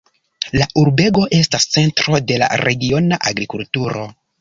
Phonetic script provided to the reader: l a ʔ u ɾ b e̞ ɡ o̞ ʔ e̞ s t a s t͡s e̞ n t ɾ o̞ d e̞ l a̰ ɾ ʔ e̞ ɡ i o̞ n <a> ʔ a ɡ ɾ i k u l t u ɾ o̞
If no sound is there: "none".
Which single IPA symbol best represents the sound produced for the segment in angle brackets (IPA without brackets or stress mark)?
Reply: a